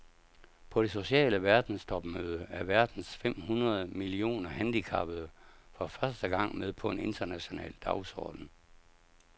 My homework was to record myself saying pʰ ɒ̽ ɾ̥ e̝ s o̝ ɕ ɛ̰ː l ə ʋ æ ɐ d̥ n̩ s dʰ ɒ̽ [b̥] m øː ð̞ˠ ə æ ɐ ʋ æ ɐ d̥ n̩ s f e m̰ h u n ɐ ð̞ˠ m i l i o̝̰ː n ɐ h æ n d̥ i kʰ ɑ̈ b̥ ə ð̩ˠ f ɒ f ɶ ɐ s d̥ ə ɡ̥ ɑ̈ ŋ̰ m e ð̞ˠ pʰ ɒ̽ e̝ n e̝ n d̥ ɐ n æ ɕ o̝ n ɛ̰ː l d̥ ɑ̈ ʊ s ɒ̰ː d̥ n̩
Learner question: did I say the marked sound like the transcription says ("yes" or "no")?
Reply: yes